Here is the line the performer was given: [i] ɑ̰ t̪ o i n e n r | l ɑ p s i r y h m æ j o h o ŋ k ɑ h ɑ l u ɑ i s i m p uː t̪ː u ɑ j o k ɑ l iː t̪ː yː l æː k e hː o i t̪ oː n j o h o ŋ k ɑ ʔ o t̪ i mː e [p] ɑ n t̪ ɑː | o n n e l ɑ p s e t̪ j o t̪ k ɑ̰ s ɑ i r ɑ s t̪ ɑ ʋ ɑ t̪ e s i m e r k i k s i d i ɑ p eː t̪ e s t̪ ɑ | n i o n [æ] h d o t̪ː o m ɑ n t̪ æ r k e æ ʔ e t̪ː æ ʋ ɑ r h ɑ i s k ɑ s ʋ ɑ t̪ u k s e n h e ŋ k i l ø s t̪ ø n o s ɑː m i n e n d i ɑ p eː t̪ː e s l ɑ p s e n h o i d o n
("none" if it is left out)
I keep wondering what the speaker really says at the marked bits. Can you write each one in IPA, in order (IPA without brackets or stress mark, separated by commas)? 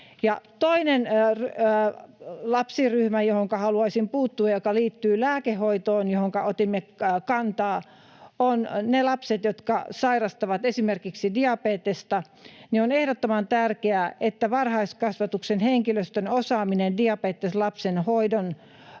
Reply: j, k, e